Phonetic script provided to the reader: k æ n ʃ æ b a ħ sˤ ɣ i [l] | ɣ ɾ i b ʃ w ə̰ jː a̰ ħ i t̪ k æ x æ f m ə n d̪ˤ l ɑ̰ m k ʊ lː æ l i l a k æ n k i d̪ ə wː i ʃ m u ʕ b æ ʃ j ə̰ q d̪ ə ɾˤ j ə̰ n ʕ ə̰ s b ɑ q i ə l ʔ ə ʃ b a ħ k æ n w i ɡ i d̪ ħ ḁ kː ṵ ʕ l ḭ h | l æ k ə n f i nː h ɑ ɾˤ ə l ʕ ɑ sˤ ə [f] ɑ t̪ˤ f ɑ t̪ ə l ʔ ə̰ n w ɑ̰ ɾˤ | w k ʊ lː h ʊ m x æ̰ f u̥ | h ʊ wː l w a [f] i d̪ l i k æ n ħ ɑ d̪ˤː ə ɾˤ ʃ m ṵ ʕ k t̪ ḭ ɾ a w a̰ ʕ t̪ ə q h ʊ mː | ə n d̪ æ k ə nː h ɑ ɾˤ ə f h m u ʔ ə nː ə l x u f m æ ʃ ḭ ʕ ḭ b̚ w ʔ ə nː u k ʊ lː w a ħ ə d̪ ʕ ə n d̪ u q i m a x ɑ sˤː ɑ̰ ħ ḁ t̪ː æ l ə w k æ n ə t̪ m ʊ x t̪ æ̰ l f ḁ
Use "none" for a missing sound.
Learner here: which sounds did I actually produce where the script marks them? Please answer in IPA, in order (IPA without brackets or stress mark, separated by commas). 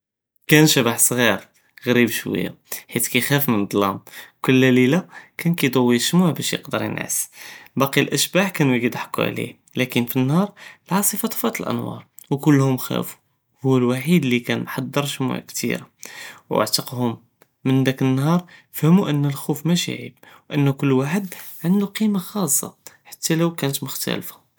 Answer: ɾ, f, ħ